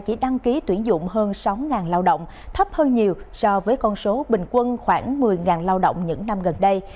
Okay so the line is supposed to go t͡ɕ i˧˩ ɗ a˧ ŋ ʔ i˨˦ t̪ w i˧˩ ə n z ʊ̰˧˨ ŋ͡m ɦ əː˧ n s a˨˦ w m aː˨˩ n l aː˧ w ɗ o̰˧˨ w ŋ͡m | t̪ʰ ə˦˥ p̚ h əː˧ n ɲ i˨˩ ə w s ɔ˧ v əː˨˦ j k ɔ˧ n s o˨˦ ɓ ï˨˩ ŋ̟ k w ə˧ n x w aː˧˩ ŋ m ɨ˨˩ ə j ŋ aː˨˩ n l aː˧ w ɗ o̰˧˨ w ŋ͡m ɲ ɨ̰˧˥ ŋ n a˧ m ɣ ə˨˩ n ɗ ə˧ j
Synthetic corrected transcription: t͡ɕ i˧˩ ɗ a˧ ŋ k i˨˦ t̪ w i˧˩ ə n z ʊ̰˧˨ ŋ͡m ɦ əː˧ n s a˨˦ w ŋ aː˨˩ n l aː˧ w ɗ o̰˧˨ w ŋ͡m | t̪ʰ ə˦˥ p̚ h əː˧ n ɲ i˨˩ ə w s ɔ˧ v əː˨˦ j k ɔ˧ n s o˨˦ ɓ ï˨˩ ŋ̟ k w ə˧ n x w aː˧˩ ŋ m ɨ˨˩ ə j ŋ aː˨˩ n l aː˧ w ɗ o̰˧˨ w ŋ͡m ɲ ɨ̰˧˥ ŋ n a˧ m ɣ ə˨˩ n ɗ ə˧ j